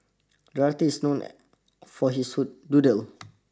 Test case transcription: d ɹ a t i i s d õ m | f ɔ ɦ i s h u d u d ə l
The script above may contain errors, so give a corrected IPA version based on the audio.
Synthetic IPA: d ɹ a t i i s n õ n | f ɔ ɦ i s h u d u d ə l